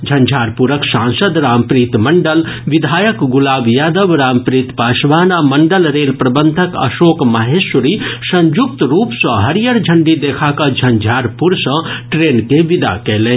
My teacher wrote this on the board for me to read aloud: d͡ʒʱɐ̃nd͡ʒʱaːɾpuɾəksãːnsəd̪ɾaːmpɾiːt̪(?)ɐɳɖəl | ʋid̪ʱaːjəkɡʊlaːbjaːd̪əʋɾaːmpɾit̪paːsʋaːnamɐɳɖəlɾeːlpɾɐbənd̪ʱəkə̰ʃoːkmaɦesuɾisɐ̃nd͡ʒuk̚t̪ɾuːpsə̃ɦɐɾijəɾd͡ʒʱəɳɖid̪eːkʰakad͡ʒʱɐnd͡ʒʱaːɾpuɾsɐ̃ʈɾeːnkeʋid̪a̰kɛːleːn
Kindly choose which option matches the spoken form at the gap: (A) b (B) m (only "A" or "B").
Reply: B